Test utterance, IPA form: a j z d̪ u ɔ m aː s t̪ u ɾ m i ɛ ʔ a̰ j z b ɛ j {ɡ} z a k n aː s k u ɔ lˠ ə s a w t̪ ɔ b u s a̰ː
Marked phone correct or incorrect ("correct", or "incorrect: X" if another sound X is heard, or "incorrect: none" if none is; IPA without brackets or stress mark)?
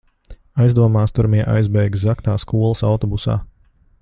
correct